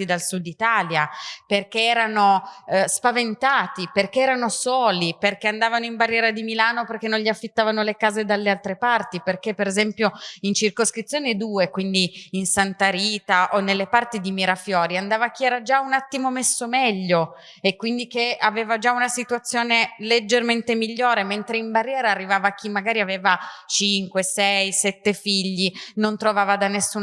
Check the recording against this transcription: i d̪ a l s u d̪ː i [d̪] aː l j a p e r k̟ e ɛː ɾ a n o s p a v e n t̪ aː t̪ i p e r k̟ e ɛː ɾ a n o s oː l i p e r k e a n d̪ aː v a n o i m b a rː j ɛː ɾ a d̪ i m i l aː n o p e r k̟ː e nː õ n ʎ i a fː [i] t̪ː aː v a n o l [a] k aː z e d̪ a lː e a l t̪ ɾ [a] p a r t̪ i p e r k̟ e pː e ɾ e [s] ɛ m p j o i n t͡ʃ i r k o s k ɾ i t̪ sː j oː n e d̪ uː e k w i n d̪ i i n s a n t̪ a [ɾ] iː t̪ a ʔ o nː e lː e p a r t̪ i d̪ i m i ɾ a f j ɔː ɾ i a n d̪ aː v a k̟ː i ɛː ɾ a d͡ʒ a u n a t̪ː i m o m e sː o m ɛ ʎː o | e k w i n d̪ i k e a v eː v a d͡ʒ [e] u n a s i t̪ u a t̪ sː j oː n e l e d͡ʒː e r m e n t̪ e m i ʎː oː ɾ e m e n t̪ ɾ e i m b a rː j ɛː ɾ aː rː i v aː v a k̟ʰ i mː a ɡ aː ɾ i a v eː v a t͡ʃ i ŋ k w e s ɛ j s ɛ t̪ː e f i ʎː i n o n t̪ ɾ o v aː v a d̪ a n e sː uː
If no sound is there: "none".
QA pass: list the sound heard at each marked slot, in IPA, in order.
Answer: t̪, i, e, e, z, ɾ, a

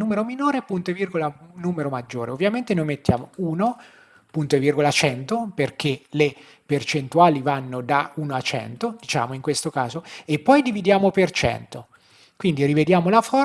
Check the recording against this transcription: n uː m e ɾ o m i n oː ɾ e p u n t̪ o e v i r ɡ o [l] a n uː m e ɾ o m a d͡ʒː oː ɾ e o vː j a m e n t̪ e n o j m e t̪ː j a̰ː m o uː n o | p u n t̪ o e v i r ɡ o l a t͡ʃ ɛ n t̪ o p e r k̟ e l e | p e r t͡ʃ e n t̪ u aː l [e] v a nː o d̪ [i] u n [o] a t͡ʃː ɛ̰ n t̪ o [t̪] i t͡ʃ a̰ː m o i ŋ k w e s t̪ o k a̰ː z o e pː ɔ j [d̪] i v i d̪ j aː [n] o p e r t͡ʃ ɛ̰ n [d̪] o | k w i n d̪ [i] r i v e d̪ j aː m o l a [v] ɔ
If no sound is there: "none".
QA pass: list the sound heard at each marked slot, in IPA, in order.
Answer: l, i, a, o, d̪, d̪, m, t̪, i, f

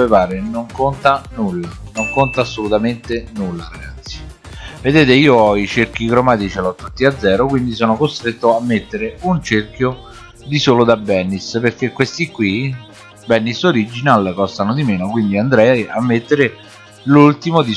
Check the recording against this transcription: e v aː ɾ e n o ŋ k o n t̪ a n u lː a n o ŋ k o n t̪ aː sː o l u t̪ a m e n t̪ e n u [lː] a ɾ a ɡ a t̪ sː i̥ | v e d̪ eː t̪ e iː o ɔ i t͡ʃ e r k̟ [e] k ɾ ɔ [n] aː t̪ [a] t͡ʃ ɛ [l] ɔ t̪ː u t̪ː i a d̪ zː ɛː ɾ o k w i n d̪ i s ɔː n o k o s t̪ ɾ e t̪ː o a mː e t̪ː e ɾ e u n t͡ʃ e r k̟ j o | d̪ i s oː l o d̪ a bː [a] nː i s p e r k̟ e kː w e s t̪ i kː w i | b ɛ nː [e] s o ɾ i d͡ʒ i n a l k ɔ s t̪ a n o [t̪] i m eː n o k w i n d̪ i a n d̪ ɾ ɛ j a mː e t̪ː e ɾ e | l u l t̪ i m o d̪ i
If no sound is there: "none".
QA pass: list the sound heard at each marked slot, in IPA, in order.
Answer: lː, i, m, i, l, ɛ, i, d̪

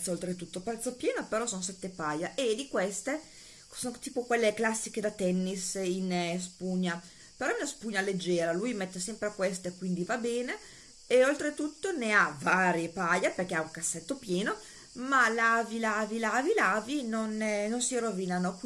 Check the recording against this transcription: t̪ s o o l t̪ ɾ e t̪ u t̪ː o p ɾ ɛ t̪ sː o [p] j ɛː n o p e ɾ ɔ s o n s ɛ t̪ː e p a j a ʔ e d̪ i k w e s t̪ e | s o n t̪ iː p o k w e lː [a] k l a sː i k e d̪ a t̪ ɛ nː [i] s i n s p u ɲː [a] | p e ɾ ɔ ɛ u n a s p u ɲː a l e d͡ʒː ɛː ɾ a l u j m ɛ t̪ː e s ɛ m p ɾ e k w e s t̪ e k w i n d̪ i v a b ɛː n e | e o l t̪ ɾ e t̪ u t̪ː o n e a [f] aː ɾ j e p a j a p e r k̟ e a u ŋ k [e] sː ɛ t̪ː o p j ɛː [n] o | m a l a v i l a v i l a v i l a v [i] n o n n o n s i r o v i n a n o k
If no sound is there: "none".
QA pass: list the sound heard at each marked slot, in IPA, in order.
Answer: p, e, i, a, v, a, n, i

